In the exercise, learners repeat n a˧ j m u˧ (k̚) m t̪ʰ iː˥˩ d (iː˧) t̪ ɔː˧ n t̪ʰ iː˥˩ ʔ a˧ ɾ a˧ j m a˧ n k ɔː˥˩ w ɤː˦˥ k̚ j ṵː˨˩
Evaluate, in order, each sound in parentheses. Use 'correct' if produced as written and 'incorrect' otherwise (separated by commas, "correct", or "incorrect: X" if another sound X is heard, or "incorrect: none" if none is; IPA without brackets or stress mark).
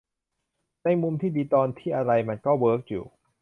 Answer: incorrect: none, correct